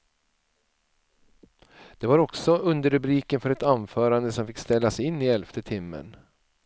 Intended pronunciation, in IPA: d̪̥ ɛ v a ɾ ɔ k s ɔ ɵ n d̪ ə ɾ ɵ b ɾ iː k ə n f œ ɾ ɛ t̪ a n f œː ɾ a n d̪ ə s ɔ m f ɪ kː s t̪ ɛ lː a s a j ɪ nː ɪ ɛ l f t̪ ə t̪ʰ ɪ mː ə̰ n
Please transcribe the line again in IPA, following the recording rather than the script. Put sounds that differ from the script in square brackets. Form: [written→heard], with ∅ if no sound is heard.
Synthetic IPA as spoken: d̪̥ ɛ v a ɾ ɔ k s ɔ ɵ n d̪ ə ɾ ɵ b ɾ iː k ə n f œ ɾ ɛ t̪ a n f œː ɾ a n d̪ ə s ɔ m f ɪ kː s t̪ ɛ lː a s [a→ɛ] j ɪ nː ɪ ɛ l f t̪ ə t̪ʰ ɪ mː ə̰ n